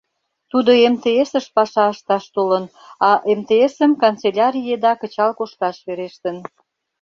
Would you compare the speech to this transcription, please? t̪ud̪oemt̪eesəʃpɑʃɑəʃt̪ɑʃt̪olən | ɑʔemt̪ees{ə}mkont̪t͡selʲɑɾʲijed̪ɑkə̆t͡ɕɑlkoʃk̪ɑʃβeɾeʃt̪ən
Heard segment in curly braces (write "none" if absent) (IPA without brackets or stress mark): ə